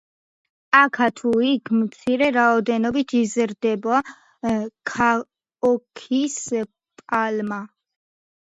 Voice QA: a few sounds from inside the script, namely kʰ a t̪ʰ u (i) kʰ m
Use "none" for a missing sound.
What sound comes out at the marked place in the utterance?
i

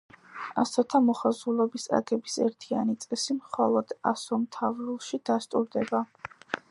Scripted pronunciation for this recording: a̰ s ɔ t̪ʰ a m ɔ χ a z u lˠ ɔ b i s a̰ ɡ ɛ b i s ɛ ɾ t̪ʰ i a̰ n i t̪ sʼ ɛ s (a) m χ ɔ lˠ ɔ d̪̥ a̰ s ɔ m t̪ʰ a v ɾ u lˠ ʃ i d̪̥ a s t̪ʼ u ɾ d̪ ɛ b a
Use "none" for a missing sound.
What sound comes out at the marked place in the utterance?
i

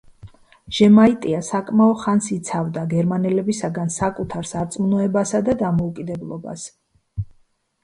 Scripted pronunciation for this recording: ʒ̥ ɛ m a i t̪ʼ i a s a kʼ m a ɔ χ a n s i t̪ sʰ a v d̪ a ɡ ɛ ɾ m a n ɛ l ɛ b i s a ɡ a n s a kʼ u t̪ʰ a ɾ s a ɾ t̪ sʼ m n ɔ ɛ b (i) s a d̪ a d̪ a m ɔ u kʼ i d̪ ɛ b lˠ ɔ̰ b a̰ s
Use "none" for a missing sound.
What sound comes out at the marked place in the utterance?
a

